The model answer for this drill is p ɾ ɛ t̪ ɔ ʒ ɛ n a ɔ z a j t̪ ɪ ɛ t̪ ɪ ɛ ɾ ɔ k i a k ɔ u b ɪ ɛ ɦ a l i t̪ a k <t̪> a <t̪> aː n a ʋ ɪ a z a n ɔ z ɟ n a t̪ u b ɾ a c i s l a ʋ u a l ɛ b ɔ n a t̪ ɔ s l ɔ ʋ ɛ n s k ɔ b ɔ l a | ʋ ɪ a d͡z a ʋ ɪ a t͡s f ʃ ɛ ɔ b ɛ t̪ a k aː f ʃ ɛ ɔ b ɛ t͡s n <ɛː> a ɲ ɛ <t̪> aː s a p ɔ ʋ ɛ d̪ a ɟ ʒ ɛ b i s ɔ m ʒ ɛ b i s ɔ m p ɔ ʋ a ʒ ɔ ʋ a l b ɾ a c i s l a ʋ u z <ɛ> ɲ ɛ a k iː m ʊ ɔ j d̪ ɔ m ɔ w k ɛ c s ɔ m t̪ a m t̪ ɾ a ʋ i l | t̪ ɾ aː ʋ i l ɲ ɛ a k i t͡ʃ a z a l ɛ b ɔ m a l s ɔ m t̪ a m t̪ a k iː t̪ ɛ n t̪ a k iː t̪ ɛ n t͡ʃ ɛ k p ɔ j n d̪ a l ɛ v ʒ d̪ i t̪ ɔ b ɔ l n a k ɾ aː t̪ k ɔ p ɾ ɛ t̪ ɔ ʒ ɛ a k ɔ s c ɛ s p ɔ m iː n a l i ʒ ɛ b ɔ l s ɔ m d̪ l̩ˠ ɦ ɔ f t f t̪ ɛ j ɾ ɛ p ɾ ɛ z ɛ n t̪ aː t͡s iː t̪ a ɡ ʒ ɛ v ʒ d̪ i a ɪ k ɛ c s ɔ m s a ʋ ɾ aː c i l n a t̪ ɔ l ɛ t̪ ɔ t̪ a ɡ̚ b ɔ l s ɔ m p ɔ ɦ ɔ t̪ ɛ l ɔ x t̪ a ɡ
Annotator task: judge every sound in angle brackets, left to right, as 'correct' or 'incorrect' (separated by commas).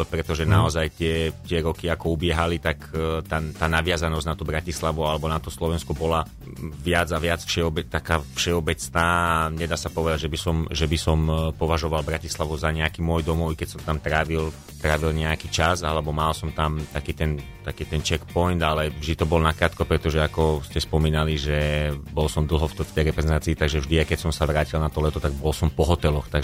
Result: correct, correct, incorrect, incorrect, incorrect